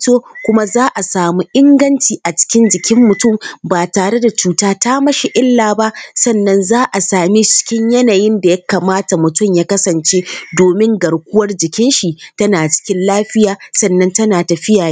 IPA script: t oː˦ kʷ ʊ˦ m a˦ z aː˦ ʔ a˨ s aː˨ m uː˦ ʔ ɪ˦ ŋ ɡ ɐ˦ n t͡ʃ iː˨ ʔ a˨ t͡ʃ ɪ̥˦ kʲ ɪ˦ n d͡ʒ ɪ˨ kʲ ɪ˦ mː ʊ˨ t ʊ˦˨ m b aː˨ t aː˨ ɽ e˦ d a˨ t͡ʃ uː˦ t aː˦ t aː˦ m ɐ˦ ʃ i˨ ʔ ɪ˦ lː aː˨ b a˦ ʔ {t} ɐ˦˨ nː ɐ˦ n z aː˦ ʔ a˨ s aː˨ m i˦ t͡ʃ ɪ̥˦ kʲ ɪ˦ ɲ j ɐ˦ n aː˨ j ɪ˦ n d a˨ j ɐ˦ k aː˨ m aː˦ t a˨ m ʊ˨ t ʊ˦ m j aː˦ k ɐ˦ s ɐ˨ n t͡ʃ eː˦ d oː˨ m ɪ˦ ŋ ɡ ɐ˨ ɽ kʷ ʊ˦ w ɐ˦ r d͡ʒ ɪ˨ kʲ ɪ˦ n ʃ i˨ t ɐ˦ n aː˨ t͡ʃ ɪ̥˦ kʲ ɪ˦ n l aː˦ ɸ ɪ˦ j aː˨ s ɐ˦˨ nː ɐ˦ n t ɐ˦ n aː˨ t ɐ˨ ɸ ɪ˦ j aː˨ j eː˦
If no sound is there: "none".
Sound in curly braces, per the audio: s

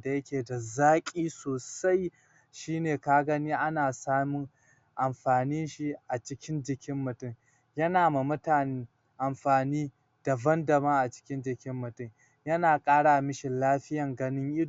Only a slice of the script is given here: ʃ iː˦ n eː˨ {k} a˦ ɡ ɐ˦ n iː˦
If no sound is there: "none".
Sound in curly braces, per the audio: k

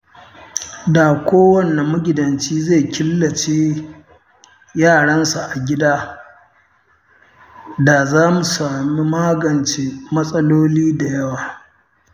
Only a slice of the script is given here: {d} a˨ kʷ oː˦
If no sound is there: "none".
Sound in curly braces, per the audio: d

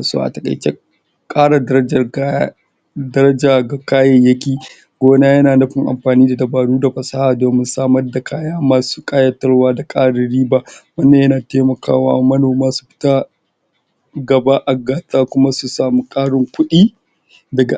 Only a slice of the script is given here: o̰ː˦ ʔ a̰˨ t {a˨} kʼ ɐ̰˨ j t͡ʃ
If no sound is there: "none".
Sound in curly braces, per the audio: ɐ˨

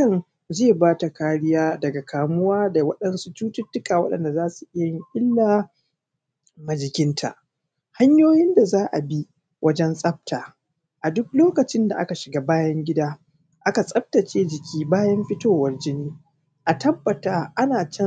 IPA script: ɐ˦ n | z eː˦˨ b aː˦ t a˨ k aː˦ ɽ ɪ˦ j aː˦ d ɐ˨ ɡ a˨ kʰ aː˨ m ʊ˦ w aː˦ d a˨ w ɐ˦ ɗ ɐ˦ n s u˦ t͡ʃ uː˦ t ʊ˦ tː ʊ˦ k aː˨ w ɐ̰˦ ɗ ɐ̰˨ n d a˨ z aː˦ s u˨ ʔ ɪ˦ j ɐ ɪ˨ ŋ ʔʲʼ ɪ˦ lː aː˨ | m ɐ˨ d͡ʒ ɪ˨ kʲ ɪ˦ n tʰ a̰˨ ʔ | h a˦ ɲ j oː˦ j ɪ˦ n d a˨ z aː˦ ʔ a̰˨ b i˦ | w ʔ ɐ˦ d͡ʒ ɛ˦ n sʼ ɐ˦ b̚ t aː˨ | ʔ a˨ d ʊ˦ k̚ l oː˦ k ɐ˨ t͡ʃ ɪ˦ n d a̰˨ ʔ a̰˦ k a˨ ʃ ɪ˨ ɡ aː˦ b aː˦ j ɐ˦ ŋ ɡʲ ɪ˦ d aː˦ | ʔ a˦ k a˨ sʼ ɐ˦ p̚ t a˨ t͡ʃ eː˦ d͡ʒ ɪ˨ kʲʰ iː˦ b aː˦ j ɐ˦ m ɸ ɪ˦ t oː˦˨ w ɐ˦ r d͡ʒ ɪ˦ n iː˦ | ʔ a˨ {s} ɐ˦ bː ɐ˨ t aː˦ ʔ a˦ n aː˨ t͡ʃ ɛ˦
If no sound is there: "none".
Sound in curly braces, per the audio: t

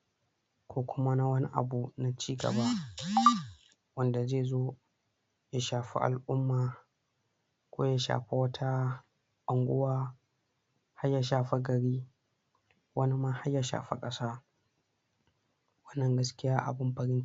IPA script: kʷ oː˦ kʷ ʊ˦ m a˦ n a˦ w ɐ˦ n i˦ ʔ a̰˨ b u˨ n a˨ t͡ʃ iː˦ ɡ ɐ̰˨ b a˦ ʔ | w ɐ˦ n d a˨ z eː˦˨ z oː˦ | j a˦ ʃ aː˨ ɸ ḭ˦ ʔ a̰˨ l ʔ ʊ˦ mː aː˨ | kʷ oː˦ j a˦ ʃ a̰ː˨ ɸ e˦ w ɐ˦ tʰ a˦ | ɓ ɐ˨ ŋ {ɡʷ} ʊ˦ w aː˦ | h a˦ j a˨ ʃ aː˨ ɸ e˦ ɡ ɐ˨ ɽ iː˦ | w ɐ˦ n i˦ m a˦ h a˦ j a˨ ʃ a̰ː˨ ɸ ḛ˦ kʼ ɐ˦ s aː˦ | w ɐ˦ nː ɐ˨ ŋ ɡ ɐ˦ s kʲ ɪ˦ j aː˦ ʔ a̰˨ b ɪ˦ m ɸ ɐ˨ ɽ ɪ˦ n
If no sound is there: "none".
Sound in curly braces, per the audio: ɡʷ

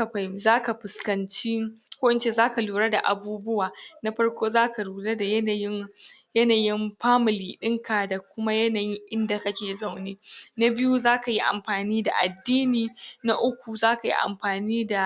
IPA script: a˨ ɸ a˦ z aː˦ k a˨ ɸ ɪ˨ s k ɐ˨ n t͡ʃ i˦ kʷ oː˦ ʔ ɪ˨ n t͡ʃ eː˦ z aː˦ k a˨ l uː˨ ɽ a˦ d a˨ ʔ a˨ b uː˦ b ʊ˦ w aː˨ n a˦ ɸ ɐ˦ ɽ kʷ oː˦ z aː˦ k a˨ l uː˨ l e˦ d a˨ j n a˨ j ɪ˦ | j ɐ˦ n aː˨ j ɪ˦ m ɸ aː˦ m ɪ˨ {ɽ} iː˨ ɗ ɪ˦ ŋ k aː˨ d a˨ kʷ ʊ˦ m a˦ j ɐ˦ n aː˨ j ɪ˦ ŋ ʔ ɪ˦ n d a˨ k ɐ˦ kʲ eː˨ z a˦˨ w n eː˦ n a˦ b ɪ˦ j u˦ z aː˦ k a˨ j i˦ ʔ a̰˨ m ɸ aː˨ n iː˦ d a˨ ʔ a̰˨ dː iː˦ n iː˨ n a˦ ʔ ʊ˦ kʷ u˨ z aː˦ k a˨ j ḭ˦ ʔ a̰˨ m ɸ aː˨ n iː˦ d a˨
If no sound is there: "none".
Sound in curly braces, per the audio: l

